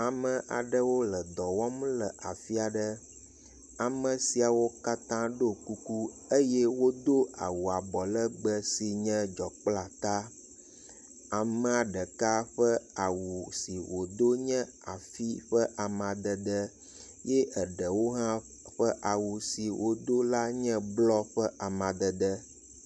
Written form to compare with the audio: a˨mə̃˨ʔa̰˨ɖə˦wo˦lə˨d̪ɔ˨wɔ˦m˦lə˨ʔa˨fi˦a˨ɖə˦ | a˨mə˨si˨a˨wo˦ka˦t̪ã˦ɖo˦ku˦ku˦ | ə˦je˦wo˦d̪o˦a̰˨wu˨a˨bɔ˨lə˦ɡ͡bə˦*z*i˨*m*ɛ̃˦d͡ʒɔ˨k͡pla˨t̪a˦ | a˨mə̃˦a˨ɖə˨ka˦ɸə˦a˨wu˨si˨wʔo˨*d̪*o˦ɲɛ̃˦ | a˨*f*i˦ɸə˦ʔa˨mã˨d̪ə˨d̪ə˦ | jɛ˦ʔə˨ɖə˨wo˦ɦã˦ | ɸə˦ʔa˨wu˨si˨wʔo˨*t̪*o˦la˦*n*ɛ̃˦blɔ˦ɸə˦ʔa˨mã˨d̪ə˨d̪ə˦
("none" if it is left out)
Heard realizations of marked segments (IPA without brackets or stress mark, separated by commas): s, ɲ, d̪, f, d̪, ɲ